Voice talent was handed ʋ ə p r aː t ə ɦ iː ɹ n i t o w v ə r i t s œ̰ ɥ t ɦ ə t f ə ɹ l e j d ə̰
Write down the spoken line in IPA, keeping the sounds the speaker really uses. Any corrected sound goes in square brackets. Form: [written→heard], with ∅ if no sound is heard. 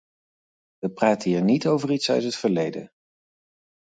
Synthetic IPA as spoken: ʋ ə p r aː t ə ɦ iː ɹ n i t o w v ə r i t s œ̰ ɥ t ɦ ə t f ə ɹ l e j d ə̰